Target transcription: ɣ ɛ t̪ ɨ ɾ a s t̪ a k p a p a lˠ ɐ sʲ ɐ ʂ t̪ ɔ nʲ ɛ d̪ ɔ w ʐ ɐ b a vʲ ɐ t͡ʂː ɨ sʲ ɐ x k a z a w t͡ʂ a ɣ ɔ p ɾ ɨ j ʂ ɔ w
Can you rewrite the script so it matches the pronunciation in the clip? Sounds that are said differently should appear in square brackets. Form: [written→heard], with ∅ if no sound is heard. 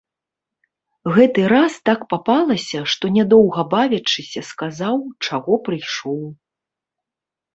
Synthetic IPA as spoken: ɣ ɛ t̪ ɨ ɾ a s t̪ a k p a p a lˠ ɐ sʲ ɐ ʂ t̪ ɔ nʲ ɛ d̪ ɔ w [ʐ→ɣ] ɐ b a vʲ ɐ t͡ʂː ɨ sʲ ɐ [x→s] k a z a w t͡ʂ a ɣ ɔ p ɾ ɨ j ʂ ɔ w